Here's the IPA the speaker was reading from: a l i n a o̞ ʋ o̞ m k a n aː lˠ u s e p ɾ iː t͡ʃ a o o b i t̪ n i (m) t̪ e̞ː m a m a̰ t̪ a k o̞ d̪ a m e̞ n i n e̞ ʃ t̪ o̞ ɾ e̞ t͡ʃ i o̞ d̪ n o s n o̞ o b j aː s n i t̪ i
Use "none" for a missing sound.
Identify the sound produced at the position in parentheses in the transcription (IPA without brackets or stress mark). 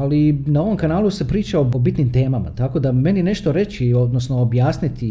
m